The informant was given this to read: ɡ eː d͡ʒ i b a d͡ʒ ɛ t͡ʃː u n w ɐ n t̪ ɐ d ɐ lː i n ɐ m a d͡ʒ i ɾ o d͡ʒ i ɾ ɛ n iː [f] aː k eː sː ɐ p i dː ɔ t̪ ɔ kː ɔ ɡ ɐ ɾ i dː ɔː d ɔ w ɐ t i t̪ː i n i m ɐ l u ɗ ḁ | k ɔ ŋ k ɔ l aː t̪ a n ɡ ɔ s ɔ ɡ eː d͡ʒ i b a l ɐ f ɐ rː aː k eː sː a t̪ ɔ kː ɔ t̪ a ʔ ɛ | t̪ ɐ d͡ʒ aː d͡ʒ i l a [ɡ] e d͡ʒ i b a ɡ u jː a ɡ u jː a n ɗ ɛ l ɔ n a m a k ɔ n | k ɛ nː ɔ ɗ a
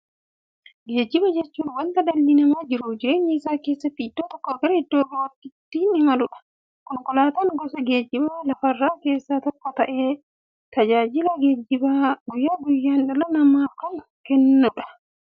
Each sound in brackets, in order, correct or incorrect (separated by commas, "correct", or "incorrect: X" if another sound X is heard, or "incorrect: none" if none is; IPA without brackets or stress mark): incorrect: s, correct